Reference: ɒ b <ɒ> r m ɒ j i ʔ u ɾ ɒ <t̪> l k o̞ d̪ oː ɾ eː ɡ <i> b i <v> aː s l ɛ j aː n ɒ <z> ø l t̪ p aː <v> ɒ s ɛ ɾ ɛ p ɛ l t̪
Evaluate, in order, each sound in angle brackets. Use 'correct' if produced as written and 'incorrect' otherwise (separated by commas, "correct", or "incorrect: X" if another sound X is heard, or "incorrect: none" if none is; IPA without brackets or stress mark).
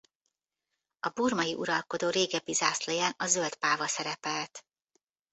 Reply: incorrect: u, incorrect: none, incorrect: ɛ, incorrect: z, correct, correct